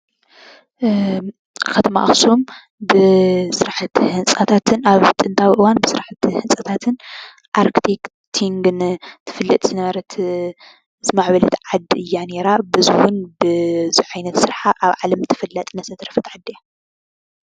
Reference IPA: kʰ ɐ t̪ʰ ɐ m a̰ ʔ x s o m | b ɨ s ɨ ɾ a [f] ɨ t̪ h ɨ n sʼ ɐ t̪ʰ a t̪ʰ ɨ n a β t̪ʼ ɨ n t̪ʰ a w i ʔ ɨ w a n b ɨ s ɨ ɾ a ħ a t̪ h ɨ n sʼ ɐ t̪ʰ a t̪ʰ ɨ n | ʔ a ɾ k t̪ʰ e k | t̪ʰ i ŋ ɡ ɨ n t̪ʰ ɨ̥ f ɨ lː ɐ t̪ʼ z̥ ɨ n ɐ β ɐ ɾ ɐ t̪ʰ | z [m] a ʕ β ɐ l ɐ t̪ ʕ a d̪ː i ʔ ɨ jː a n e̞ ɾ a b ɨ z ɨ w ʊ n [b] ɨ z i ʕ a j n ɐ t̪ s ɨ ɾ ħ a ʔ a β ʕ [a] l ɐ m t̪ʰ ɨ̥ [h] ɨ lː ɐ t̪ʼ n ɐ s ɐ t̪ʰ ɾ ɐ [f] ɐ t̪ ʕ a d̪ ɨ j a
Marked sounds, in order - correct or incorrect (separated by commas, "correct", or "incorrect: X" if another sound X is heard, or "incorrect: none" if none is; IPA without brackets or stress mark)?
incorrect: ħ, correct, correct, correct, incorrect: f, correct